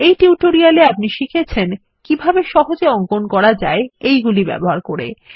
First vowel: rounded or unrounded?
unrounded